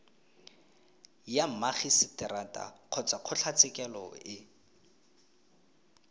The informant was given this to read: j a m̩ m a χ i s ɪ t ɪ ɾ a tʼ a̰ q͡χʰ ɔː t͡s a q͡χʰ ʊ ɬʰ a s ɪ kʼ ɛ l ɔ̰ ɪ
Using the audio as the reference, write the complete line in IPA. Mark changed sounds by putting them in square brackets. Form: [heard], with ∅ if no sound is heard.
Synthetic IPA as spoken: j a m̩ m a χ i s ɪ t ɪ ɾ a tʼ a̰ q͡χʰ [ɔ] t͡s a q͡χʰ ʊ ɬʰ a [t͡s] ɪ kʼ ɛ l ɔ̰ ɪ